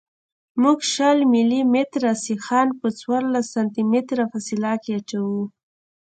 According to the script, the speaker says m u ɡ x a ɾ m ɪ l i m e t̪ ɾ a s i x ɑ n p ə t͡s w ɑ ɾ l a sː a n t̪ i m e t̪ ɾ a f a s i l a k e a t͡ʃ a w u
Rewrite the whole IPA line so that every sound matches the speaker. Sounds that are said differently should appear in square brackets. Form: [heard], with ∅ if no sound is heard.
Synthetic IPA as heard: m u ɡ [ʃ] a [l] m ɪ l i m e t̪ ɾ a s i x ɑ n p ə t͡s w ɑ ɾ l a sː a n t̪ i m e t̪ ɾ a f a s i l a k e a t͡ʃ a w u